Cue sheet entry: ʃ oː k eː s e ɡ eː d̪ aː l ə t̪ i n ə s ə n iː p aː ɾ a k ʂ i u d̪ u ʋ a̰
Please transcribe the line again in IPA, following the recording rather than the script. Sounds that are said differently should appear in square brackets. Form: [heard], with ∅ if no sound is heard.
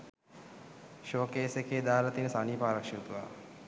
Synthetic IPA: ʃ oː k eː s e [k] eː d̪ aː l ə t̪ i n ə s [a] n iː p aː ɾ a k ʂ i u [t̪] u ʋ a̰